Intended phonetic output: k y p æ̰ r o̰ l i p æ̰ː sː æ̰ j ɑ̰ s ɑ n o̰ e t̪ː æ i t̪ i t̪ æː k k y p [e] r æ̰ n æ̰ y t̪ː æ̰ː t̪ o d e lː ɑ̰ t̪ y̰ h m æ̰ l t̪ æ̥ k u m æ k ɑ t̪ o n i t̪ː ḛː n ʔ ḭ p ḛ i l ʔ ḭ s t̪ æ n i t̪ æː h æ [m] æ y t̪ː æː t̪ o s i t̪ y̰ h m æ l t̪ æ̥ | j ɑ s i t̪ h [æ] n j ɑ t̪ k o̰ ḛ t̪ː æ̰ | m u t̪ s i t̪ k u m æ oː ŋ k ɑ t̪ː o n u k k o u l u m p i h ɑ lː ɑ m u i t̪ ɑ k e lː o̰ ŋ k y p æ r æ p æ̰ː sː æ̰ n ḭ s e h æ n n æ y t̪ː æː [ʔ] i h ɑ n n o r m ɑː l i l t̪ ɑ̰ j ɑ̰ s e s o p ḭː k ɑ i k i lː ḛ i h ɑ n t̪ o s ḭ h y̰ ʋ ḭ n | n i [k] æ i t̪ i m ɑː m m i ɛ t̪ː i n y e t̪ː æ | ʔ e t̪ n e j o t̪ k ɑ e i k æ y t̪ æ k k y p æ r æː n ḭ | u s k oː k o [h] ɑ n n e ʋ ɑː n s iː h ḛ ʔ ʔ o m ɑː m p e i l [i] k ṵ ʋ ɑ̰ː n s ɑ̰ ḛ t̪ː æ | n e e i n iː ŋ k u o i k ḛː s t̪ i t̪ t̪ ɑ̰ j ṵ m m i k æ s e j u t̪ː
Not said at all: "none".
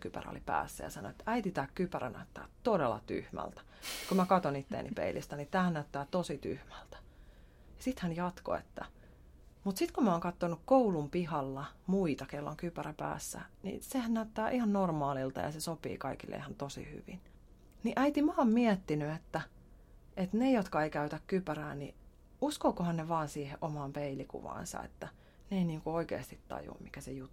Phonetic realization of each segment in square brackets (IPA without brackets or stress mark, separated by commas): æ, n, æ, ʔ, ʔ, h, i